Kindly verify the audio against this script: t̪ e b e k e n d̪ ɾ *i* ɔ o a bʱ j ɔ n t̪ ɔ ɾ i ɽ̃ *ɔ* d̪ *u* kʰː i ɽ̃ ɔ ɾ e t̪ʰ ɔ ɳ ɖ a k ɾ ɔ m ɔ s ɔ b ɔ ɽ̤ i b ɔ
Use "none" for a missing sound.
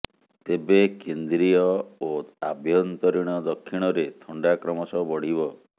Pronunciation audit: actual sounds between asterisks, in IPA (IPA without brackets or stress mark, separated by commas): i, ɔ, ɔ